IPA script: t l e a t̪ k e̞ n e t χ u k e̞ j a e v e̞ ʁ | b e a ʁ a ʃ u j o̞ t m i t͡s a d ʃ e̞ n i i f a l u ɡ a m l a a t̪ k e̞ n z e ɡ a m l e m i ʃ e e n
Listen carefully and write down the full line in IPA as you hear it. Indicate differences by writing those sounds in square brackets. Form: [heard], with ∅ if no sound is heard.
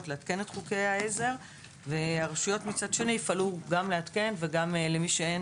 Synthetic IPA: t l e a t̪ k e̞ n e t χ u k e̞ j a e [z] e̞ ʁ | [v] e a ʁ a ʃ u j o̞ t m i t͡s a d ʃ e̞ n i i f a l u ɡ a m l [e] a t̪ k e̞ n [v] e ɡ a m l e m i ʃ e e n